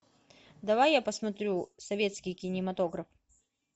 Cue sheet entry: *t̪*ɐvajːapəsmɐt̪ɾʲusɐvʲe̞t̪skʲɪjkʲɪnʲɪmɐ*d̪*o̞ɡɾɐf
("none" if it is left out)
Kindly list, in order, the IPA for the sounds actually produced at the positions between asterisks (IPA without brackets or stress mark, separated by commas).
d̪, t̪